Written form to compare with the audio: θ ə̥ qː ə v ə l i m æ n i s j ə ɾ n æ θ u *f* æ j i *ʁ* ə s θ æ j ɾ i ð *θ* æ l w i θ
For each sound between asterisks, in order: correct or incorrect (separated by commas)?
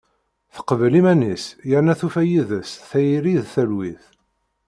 correct, incorrect, correct